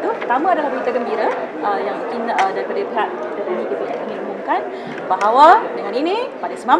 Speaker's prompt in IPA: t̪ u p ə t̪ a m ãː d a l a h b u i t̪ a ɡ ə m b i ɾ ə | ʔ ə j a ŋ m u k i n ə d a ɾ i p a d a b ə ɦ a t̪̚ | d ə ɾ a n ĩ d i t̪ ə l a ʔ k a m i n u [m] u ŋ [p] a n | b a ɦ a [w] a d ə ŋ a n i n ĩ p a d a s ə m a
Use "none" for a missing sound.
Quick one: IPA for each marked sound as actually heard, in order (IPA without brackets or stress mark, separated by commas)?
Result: m, k, w